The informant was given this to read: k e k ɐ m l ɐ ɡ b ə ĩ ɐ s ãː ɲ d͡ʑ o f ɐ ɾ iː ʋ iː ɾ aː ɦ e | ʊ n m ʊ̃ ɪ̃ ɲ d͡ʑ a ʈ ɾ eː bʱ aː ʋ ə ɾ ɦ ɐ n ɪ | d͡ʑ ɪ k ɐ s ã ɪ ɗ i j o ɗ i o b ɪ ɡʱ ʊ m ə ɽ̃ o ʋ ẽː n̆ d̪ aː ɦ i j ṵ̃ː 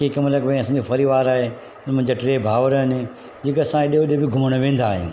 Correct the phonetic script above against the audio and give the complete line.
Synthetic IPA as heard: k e k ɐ m l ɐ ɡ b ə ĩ ɐ s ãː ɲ d͡ʑ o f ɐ ɾ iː ʋ aː ɾ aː ɦ e | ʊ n m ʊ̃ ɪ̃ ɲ d͡ʑ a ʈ ɾ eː bʱ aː ʋ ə ɾ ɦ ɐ n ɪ | d͡ʑ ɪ k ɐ s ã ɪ ɗ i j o ɗ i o b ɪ ɡʱ ʊ m ə ɽ̃ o ʋ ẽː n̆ d̪ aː ɦ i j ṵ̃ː